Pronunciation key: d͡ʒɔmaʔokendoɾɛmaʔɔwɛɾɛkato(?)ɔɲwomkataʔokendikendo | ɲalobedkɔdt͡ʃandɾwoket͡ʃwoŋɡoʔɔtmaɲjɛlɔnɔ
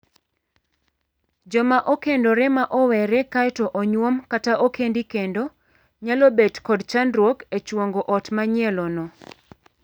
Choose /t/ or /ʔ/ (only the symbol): ʔ